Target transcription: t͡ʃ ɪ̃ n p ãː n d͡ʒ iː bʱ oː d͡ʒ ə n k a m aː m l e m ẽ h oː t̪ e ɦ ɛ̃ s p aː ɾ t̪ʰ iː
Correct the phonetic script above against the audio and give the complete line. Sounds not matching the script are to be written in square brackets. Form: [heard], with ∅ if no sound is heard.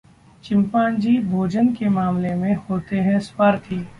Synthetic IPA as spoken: t͡ʃ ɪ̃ [m] p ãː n d͡ʒ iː bʱ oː d͡ʒ ə n k [e] m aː m l e m ẽ h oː t̪ e ɦ ɛ̃ s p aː ɾ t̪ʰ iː

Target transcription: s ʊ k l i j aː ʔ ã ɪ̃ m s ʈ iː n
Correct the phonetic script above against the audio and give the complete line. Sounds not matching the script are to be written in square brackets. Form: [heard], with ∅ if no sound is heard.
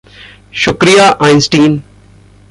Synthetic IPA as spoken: [ʃ] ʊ k [ɾ] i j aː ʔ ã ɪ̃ [n] s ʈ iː n

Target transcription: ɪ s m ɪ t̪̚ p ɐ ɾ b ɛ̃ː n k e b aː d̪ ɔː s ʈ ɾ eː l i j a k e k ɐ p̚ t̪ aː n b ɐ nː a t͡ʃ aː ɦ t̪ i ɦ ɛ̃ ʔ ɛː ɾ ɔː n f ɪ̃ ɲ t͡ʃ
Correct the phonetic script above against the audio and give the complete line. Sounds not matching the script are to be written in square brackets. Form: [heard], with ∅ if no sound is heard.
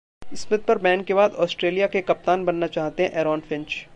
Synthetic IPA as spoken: ɪ s m ɪ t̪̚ p ɐ ɾ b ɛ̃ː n k e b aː d̪ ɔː s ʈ ɾ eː l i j a k e k ɐ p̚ t̪ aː n b ɐ nː a t͡ʃ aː ɦ t̪ [e] ɦ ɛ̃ ʔ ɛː ɾ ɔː n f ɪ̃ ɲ t͡ʃ

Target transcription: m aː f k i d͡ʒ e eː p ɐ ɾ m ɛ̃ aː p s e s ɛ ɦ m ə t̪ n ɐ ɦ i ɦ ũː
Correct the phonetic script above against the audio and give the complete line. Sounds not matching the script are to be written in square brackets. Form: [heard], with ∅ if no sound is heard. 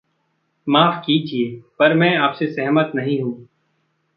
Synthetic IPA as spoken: m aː f k i d͡ʒ [i] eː p ɐ ɾ m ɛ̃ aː p s e s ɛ ɦ m ə t̪ n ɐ ɦ [ĩ] ɦ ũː

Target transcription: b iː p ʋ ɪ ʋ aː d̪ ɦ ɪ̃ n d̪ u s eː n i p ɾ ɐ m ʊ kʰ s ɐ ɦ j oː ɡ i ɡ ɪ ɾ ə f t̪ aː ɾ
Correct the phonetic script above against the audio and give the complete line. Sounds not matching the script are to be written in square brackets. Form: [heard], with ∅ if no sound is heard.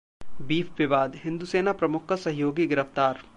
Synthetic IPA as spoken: b iː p ʋ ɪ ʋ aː d̪ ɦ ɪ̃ n d̪ u s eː n [a] p ɾ ɐ m ʊ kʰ s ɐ ɦ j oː ɡ i ɡ ɪ ɾ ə f t̪ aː ɾ

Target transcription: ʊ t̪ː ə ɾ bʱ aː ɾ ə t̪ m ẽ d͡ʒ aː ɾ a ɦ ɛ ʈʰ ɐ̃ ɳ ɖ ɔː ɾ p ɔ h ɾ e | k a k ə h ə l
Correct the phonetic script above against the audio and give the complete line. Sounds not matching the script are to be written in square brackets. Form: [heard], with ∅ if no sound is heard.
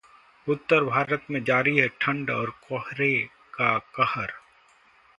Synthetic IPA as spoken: ʊ t̪ː ə ɾ bʱ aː ɾ ə t̪ m ẽ d͡ʒ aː ɾ [i] ɦ ɛ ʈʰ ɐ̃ ɳ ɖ ɔː ɾ [k] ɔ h ɾ e | k a k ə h ə [ɾ]

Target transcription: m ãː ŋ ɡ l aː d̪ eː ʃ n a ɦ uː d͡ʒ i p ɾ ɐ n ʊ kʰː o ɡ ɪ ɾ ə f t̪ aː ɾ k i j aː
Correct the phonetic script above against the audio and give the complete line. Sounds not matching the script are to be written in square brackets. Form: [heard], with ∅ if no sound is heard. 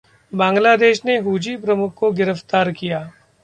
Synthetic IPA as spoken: [b] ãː ŋ ɡ l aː d̪ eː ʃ n [e] ɦ uː d͡ʒ i p ɾ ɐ [m] ʊ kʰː o ɡ ɪ ɾ ə f t̪ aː ɾ k i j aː

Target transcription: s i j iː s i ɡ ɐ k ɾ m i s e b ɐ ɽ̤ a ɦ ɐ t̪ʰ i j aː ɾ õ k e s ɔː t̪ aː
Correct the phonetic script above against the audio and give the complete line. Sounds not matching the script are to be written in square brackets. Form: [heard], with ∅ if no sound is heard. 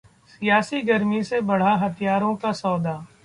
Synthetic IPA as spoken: s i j [aː] s i ɡ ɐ [∅] ɾ m i s e b ɐ ɽ̤ a ɦ ɐ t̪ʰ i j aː ɾ õ k [a] s ɔː [d̪] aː

